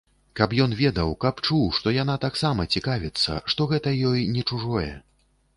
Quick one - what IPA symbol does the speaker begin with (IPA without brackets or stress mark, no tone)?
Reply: k